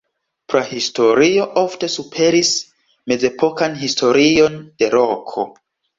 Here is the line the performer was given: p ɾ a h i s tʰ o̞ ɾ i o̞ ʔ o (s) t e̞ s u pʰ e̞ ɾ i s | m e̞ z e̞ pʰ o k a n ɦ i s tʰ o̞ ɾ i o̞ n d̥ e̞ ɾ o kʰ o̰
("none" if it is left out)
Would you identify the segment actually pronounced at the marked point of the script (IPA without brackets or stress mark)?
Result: f